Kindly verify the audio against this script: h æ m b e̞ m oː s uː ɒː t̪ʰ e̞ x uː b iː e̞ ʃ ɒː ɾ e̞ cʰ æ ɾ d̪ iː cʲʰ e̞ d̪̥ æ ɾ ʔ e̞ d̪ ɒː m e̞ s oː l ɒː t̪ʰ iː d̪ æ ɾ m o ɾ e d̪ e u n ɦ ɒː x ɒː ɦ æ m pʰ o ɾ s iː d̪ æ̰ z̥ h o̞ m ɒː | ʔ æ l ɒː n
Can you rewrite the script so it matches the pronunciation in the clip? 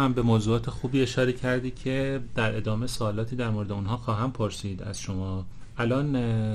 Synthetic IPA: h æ m b e̞ m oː z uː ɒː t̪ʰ e̞ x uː b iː e̞ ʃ ɒː ɾ e̞ cʰ æ ɾ d̪ iː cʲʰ e̞ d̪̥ æ ɾ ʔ e̞ d̪ ɒː m e̞ s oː l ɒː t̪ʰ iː d̪ æ ɾ m o ɾ e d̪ e u n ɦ ɒː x ɒː ɦ æ m pʰ o ɾ s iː d̪ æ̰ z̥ ʃ o̞ m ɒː | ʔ æ l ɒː n